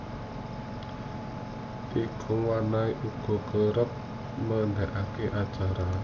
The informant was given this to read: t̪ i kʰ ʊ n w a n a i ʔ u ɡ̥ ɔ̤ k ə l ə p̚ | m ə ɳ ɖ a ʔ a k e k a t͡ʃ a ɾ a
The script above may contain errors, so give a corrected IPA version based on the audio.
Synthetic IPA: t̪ i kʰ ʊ ŋ w a n a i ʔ u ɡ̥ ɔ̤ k ə ɾ ə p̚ | m ə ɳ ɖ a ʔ a k e ʔ a t͡ʃ a ɾ a